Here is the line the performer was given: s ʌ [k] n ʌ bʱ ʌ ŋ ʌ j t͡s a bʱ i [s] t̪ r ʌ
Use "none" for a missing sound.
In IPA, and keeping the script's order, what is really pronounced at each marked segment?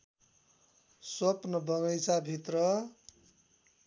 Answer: p, none

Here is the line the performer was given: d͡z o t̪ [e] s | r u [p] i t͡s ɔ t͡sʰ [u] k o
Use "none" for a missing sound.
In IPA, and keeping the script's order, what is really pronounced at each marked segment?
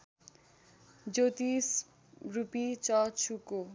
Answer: i, p, u

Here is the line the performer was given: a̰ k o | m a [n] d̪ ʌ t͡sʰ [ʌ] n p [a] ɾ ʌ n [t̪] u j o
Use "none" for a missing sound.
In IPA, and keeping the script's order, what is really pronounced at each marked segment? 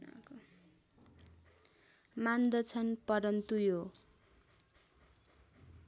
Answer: n, ʌ, ʌ, t̪

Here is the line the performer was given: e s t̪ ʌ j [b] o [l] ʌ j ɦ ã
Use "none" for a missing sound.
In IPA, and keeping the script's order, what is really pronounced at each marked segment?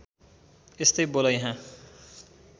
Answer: b, l

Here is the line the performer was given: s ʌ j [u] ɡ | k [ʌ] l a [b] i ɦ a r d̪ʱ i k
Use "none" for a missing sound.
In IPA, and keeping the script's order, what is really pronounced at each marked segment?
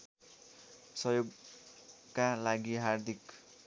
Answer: o, a, ɡ

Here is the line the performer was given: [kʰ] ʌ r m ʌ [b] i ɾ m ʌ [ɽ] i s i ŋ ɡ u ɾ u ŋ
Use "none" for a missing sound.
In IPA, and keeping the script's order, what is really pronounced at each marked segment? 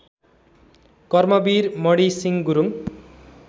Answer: k, b, ɽ

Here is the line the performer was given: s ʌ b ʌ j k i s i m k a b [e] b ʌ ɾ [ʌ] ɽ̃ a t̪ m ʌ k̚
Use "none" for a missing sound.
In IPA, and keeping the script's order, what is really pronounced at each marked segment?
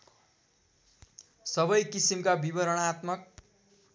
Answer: i, ʌ

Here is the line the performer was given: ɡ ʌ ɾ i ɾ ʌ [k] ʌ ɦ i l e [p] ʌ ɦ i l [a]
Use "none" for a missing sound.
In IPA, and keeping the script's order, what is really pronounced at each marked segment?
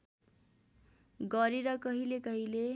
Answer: k, k, e

